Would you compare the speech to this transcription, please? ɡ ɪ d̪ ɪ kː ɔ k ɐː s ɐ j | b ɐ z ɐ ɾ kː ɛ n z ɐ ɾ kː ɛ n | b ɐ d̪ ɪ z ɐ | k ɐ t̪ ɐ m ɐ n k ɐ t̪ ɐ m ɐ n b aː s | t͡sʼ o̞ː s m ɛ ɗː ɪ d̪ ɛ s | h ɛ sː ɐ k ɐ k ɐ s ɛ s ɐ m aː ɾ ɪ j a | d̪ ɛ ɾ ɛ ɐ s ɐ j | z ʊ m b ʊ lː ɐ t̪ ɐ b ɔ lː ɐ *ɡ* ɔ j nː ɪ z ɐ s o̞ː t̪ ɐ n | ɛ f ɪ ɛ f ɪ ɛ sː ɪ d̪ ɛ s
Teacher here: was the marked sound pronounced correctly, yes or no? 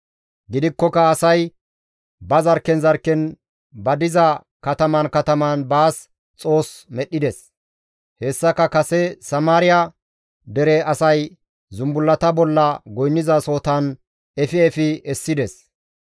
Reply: yes